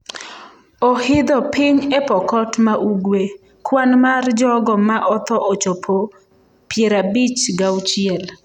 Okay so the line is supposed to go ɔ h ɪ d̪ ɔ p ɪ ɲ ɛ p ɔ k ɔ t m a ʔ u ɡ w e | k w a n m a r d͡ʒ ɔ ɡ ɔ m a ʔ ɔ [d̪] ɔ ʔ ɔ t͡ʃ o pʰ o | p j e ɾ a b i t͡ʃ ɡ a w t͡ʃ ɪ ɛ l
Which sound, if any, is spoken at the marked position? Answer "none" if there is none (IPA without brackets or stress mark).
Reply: t̪